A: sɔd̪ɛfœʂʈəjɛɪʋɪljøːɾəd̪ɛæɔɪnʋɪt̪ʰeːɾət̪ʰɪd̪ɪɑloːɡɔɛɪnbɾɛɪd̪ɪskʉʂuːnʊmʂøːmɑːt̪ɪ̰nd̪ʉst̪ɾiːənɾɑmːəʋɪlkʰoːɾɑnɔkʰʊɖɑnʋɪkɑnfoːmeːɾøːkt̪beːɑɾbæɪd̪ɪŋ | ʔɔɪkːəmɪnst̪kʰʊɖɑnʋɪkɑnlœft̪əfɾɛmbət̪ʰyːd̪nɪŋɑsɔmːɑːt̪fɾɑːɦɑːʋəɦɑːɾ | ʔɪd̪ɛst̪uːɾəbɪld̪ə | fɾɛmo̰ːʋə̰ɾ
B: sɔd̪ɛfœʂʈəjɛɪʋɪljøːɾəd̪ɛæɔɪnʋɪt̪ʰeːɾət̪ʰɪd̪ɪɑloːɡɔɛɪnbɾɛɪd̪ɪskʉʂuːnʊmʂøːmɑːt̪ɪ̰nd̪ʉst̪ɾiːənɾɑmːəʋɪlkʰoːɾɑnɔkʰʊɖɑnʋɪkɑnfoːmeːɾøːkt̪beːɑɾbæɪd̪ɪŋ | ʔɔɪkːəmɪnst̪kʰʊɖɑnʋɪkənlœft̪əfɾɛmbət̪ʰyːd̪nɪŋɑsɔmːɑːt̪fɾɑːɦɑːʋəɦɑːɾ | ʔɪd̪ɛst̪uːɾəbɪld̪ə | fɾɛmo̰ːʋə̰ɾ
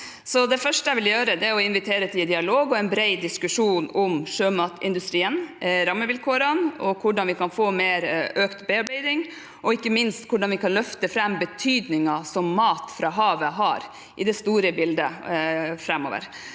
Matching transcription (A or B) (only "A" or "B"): A